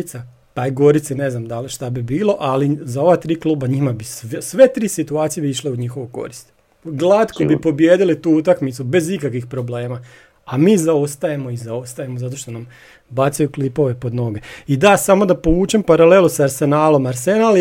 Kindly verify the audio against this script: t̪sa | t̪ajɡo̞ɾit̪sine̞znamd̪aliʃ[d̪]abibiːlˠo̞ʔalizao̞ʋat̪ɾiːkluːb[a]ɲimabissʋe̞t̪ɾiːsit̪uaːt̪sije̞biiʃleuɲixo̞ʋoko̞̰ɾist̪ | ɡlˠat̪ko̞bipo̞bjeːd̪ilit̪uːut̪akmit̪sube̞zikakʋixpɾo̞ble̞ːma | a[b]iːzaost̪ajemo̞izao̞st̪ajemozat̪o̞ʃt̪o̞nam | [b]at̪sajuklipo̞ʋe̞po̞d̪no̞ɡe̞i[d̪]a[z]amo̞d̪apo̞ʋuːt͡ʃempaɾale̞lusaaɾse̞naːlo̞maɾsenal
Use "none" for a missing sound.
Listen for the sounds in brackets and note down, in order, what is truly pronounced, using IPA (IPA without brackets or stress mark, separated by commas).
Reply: t̪, a, m, b, d̪, s